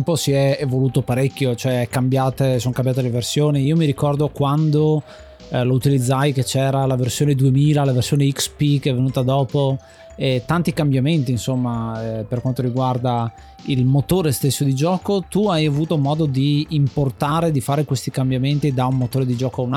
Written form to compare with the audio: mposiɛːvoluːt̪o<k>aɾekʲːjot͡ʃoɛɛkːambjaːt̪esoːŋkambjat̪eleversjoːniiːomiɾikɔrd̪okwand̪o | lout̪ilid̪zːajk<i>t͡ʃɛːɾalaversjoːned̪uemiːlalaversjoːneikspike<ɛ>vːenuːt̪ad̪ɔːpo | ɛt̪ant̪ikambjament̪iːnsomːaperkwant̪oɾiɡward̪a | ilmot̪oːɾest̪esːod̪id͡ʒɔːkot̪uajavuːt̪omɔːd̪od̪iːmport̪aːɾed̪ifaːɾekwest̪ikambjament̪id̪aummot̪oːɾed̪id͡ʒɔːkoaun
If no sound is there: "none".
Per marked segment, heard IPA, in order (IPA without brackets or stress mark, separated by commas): p, e, ɛ